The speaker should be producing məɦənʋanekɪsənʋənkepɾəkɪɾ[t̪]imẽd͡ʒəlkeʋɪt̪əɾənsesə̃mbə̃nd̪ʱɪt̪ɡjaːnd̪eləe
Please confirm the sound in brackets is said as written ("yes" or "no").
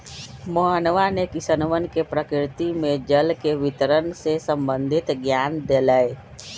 yes